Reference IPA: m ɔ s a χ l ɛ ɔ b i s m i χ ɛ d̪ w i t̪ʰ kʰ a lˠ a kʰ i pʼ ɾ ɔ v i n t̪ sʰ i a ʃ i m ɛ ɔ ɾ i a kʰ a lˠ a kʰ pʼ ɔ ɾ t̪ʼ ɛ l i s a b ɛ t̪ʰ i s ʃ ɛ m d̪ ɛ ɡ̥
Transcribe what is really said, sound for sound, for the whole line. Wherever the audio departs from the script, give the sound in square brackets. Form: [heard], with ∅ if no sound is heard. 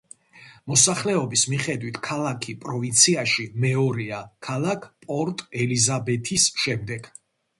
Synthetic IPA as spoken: m ɔ s a χ l ɛ ɔ b i s m i χ ɛ d̪ w i t̪ʰ kʰ a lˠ a kʰ i pʼ ɾ ɔ v i n t̪ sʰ i a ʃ i m ɛ ɔ ɾ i a kʰ a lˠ a kʰ pʼ ɔ ɾ t̪ʼ ɛ l i [z] a b ɛ t̪ʰ i s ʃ ɛ m d̪ ɛ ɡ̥

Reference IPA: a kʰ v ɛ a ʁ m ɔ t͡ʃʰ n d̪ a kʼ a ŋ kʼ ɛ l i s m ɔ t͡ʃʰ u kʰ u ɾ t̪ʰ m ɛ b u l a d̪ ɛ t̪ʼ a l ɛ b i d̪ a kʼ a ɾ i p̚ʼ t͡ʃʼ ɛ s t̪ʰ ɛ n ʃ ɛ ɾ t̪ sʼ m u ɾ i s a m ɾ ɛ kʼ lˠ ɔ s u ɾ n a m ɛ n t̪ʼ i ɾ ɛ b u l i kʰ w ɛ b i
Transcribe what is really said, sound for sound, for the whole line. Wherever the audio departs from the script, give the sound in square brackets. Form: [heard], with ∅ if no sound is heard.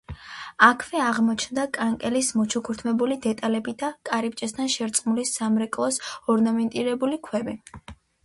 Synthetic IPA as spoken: a kʰ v ɛ a ʁ m ɔ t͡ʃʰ n d̪ a kʼ a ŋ kʼ ɛ l i s m ɔ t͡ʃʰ u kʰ u ɾ t̪ʰ m ɛ b u l [i] d̪ ɛ t̪ʼ a l ɛ b i d̪ a kʼ a ɾ i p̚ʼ t͡ʃʼ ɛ s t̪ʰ [a] n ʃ ɛ ɾ t̪ sʼ m u [l] i s a m ɾ ɛ kʼ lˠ ɔ s [ɔ] ɾ n a m ɛ n t̪ʼ i ɾ ɛ b u l i kʰ w ɛ b i

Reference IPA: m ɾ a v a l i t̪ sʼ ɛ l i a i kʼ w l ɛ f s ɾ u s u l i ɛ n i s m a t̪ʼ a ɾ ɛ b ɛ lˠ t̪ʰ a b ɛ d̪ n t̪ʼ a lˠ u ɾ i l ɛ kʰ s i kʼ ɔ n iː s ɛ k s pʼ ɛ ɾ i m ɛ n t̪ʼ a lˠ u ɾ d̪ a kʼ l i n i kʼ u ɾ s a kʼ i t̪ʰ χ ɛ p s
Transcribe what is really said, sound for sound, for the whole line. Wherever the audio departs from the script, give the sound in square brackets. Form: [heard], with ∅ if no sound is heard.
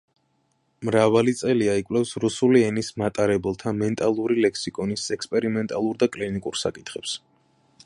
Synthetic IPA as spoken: m ɾ a v a l i t̪ sʼ ɛ l i a i kʼ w l ɛ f s ɾ u s u l i ɛ n i s m a t̪ʼ a ɾ ɛ b ɛ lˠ t̪ʰ a [m] ɛ [∅] n t̪ʼ a lˠ u ɾ i l ɛ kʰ s i kʼ ɔ n [i] s ɛ k s pʼ ɛ ɾ i m ɛ n t̪ʼ a lˠ u ɾ d̪ a kʼ l i n i kʼ u ɾ s a kʼ i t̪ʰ χ ɛ p s

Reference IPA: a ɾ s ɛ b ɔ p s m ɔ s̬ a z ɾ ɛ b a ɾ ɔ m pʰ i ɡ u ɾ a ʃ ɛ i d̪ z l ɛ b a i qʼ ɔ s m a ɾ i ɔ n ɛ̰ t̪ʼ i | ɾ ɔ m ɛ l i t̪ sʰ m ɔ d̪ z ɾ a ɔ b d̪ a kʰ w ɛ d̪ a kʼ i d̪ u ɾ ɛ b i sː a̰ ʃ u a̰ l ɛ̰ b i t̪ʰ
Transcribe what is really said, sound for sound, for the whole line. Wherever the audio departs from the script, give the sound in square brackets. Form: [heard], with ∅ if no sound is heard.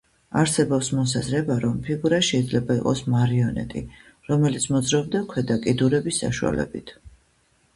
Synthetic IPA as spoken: a ɾ s ɛ b ɔ p s m ɔ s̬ a z ɾ ɛ b a ɾ ɔ m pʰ i ɡ u ɾ a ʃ ɛ i d̪ z l ɛ b a i qʼ ɔ s m a ɾ i ɔ n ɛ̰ t̪ʼ i | ɾ ɔ m ɛ l i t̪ sʰ m ɔ d̪ z ɾ a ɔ b d̪ a kʰ w ɛ d̪ a kʼ i d̪ u ɾ ɛ b i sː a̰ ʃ u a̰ l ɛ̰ b i t̪ʰ

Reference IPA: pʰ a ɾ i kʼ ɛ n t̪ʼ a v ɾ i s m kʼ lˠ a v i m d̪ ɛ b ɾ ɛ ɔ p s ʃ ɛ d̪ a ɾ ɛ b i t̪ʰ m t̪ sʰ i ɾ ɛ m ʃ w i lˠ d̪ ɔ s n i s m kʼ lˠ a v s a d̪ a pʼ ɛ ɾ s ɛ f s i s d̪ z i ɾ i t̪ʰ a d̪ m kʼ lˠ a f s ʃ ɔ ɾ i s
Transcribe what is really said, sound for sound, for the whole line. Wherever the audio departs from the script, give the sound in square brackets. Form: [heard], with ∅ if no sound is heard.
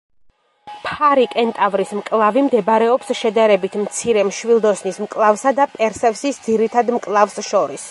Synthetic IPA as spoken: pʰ a ɾ i kʼ ɛ n t̪ʼ a v ɾ i s m kʼ lˠ a v i m d̪ ɛ b ɾ ɛ ɔ p s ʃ ɛ d̪ a ɾ ɛ b i t̪ʰ m t̪ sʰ i ɾ ɛ m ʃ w i lˠ d̪ ɔ s n i s m kʼ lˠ a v s a d̪ a pʼ ɛ ɾ s ɛ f s i s d̪ z i ɾ i t̪ʰ a d̪ m kʼ lˠ a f s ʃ ɔ ɾ i s

